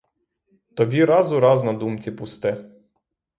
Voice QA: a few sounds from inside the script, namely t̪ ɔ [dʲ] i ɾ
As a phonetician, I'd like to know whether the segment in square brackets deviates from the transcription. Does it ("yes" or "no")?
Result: yes